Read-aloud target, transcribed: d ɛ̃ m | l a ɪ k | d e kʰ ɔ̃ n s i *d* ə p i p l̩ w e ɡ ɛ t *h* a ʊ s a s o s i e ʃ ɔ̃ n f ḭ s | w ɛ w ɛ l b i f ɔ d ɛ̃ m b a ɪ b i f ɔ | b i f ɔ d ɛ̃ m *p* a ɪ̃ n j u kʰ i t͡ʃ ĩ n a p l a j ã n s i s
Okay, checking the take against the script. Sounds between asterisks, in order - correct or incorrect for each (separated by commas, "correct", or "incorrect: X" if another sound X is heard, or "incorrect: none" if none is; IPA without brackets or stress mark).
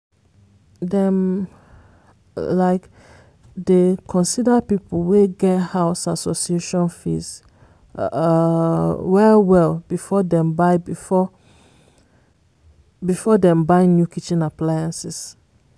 correct, correct, incorrect: b